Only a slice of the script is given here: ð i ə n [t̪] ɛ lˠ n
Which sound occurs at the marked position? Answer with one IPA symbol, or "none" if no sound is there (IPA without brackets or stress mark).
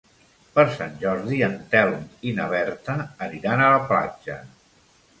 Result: t̪